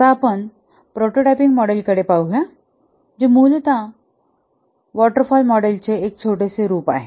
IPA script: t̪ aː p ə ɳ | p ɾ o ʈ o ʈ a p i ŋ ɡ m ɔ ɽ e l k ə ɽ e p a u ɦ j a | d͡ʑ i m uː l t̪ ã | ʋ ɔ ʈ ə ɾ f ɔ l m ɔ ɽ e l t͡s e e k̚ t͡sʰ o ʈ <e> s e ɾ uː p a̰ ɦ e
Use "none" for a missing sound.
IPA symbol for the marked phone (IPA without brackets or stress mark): e